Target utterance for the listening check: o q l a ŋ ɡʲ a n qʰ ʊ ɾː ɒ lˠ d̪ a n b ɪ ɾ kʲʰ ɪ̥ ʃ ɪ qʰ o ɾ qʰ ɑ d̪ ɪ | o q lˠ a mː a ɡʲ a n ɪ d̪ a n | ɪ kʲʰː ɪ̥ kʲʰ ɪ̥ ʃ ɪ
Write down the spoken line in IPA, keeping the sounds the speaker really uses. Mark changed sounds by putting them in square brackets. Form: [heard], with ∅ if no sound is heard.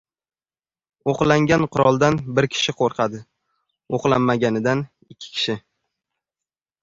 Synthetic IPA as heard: o q l a ŋ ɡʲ a n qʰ ʊ [ɾ] ɒ lˠ d̪ a n b ɪ ɾ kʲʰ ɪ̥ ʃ ɪ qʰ o ɾ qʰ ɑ d̪ ɪ | o q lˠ a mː a ɡʲ a n ɪ d̪ a n | ɪ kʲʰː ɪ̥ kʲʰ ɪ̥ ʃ ɪ